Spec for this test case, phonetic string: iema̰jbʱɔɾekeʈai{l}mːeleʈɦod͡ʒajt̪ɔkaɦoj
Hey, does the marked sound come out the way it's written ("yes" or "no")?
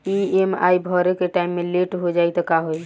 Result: no